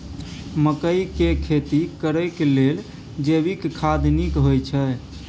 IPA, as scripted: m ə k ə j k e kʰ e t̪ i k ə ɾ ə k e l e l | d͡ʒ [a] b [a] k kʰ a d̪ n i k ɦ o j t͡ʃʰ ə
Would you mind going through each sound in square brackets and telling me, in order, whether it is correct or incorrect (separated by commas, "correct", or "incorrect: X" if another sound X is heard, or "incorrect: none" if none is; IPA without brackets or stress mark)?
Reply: incorrect: e, incorrect: i